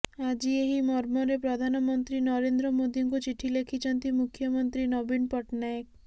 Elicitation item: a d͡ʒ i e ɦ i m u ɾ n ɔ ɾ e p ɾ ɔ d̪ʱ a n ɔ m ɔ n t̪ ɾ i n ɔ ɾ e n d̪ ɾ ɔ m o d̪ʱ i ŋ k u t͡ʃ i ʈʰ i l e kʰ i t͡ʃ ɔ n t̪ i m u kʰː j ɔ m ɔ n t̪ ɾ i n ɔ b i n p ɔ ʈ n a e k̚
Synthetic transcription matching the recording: a d͡ʒ i e ɦ i m ɔ ɾ m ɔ ɾ e p ɾ ɔ d̪ʱ a n ɔ m ɔ n t̪ ɾ i n ɔ ɾ e n d̪ ɾ ɔ m o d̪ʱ i ŋ k u t͡ʃ i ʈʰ i l e kʰ i t͡ʃ ɔ n t̪ i m u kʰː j ɔ m ɔ n t̪ ɾ i n ɔ b i n p ɔ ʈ n a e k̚